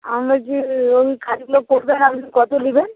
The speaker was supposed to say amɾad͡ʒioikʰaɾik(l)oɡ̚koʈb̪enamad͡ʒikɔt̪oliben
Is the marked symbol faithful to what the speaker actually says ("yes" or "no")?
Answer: yes